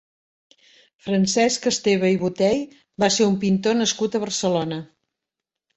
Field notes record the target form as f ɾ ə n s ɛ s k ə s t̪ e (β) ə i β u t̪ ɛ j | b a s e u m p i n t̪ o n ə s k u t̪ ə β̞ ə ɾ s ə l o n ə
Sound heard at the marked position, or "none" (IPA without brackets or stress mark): β